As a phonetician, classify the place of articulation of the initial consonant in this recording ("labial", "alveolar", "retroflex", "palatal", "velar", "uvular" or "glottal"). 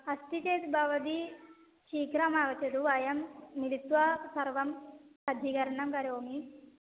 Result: alveolar